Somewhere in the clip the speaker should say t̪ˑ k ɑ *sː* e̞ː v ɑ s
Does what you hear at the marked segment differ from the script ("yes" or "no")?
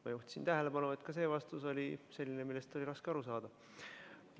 yes